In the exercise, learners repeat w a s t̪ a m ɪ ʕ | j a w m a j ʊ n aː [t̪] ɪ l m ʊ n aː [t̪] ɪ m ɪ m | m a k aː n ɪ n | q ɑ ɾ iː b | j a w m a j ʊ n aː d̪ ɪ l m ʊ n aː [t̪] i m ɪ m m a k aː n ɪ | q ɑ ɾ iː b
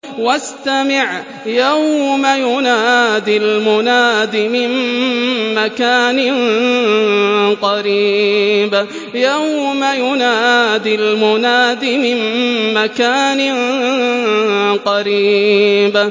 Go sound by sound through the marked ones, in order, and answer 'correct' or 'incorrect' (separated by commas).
incorrect, incorrect, incorrect